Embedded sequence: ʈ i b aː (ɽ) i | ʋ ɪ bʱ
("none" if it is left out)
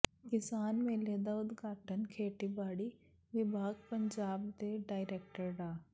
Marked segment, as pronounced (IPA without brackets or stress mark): ɽ